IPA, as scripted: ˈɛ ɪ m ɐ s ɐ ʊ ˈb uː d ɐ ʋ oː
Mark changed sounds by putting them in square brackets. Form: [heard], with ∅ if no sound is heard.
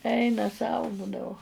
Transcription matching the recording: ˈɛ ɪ [n] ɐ s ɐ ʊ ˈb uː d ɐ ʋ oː